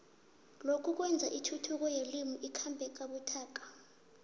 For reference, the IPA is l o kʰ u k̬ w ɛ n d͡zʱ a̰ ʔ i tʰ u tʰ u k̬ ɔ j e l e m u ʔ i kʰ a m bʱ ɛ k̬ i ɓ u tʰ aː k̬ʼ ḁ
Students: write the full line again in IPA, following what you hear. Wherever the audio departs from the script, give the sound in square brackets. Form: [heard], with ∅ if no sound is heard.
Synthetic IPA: l o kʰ u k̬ w ɛ n d͡zʱ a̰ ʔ i tʰ u tʰ u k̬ ɔ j e l [i] m u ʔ i kʰ a m bʱ ɛ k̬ [a] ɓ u tʰ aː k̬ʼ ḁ

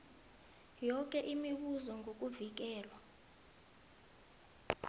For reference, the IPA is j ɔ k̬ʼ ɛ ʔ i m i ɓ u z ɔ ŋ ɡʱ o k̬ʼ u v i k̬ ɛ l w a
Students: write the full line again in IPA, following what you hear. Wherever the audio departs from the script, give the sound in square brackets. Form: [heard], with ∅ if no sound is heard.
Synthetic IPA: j ɔ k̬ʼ ɛ ʔ i m i ɓ u z ɔ ŋ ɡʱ o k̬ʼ u v i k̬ [ɛː] l w a

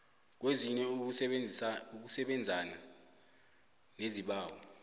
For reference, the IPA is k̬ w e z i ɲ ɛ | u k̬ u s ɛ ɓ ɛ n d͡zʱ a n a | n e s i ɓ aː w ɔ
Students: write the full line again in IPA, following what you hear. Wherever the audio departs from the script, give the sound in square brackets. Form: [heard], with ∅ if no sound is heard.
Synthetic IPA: k̬ w e z i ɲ ɛ | u k̬ u s ɛ ɓ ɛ n d͡zʱ a n a | n e [z] i ɓ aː w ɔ

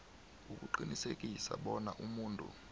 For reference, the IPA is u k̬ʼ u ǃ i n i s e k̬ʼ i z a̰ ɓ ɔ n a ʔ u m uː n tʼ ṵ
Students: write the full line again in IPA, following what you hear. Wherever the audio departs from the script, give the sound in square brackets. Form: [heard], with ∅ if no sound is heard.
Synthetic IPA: u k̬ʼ u ǃ i n i s e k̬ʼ i [s] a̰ ɓ ɔ n a ʔ u m uː n tʼ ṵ

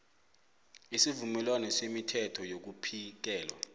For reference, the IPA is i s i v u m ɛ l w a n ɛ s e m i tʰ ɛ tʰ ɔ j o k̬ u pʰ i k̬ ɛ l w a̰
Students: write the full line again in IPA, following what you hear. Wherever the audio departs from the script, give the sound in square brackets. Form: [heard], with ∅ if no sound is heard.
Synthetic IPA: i s i v u m ɛ l w a n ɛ s e m i tʰ ɛ tʰ ɔ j o k̬ u pʰ i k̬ [ɛː] l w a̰

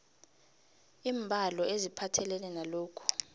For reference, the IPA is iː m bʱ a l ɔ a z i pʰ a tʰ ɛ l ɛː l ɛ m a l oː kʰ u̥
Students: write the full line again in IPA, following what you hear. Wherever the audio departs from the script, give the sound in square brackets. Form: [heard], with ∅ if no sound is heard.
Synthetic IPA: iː m bʱ a l ɔ [e] z i pʰ a tʰ ɛ l [ɛ] l ɛ [n] a l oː kʰ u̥

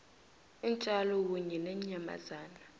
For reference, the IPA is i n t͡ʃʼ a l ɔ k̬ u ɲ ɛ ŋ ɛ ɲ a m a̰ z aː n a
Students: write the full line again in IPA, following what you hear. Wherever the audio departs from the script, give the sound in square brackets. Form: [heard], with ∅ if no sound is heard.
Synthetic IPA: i n t͡ʃʼ a l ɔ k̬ u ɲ ɛ [n] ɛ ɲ a m a̰ z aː n a

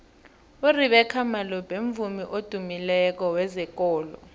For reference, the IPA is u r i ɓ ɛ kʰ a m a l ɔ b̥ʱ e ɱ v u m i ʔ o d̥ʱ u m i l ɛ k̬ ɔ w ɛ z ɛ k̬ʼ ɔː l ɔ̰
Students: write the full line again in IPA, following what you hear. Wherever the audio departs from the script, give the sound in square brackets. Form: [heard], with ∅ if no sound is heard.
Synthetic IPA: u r i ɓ ɛ kʰ a m a l ɔ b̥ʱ e ɱ v u m i ʔ o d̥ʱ u m i l ɛ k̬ ɔ w ɛ z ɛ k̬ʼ ɔː l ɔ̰

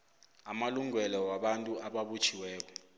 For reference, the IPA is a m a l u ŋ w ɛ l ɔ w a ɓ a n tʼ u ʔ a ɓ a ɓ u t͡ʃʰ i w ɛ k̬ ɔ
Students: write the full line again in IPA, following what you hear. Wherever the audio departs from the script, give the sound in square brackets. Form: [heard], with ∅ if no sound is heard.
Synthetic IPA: a m a l u ŋ w ɛ l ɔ w a ɓ a n tʼ u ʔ a ɓ a ɓ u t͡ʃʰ i w [ɛː] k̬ ɔ

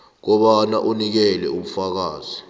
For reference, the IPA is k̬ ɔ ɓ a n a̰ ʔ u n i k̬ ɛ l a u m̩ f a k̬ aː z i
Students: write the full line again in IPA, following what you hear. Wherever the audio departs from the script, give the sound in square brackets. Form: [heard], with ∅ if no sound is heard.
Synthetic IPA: k̬ ɔ ɓ a n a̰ ʔ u n i k̬ ɛ l [ɛ] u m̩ f a k̬ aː z i

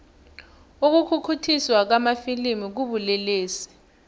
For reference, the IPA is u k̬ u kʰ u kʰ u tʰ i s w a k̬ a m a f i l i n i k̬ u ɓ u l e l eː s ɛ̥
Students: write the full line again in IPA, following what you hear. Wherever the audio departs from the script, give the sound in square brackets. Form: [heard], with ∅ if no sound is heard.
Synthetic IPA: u k̬ u kʰ u kʰ u tʰ i s w a k̬ a m a f i l i [m] i k̬ u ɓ u l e l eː s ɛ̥

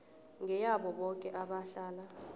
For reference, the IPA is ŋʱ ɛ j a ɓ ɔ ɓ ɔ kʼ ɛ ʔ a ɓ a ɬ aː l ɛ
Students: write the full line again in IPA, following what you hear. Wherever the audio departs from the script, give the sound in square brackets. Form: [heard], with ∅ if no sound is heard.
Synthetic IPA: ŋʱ ɛ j a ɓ ɔ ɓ ɔ kʼ ɛ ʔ a ɓ a ɬ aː l [a]

